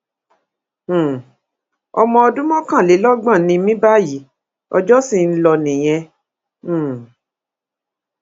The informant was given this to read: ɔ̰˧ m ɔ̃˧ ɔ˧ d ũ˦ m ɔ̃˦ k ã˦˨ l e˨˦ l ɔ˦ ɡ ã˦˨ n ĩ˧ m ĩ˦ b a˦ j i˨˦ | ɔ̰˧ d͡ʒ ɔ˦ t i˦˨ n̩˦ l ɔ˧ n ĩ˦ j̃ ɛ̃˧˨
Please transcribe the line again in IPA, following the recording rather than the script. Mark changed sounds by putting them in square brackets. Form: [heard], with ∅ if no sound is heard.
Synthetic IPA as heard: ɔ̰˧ m ɔ̃˧ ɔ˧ d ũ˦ m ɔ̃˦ k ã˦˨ l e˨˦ l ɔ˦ [ɡ͡b] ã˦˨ n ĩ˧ m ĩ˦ b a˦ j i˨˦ | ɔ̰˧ d͡ʒ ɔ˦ [s] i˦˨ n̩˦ l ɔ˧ n [ĩ˨] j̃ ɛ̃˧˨

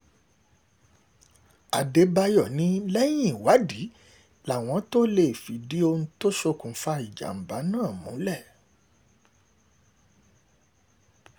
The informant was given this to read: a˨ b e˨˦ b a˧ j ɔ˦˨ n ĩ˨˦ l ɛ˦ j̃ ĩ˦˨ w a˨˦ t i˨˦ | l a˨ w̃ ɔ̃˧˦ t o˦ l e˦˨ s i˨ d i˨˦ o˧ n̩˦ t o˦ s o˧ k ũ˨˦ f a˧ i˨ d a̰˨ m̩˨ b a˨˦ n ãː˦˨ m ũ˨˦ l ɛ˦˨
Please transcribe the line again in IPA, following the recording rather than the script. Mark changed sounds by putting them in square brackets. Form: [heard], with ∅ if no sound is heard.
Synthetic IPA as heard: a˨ [d] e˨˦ b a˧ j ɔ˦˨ n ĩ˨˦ l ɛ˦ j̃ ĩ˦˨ w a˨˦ [d] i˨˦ | l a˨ w̃ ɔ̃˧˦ t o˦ l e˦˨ [f] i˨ d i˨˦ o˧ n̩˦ t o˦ [ʃ] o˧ k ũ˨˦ f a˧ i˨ [d͡ʒ] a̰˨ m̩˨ b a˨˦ n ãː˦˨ m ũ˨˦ l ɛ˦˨

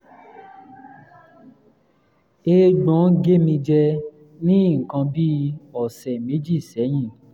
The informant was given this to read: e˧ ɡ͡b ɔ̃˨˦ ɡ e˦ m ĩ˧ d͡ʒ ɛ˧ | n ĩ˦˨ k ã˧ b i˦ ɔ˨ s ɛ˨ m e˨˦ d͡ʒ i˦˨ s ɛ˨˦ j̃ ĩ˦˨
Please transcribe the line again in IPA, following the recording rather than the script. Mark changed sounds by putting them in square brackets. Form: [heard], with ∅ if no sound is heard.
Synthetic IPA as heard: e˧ ɡ͡b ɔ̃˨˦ ɡ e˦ m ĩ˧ d͡ʒ ɛ˧ | n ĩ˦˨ k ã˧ b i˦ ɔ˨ s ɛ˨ m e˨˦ d͡ʒ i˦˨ s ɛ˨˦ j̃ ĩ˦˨

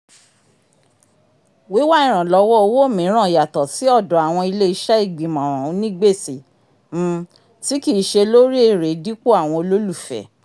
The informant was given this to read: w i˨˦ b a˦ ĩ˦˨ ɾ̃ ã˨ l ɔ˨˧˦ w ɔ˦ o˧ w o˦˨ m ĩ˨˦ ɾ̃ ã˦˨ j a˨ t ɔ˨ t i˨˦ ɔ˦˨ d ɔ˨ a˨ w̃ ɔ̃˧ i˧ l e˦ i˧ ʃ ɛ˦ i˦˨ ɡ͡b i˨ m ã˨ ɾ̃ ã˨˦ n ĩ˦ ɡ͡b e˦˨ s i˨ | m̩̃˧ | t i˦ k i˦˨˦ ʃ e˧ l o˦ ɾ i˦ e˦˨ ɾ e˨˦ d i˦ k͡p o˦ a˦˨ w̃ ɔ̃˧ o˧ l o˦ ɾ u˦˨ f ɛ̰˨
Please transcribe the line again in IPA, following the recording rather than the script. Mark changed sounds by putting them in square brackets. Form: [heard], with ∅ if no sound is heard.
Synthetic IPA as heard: w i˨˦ [w] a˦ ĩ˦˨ ɾ̃ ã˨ l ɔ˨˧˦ w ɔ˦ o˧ w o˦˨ m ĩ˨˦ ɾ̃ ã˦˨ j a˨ t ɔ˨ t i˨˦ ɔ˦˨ d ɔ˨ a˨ w̃ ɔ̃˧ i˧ l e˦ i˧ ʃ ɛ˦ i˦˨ ɡ͡b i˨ m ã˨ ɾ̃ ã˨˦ n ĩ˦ ɡ͡b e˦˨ s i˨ | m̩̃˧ | t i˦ k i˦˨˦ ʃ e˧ l o˦ ɾ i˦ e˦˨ ɾ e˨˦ d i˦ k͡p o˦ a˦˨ w̃ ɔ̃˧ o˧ l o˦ [l] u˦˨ f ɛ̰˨

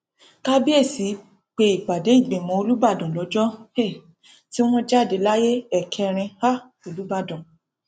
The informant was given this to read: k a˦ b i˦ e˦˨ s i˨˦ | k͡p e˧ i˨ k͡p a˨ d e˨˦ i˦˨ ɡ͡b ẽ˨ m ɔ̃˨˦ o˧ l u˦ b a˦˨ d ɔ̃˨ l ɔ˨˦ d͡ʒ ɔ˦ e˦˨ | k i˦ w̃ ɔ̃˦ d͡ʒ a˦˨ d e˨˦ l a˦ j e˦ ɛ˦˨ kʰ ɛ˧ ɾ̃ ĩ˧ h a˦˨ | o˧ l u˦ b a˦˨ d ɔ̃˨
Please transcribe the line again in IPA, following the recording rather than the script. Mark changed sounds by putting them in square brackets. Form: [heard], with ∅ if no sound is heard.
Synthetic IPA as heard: k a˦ b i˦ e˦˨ s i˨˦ | k͡p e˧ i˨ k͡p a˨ d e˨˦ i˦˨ ɡ͡b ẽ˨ m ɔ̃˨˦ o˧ l u˦ b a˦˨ d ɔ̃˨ l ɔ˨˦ d͡ʒ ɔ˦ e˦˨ | [t] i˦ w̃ ɔ̃˦ d͡ʒ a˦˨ d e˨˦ l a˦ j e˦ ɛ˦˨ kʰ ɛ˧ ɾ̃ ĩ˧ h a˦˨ | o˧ l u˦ b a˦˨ d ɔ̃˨

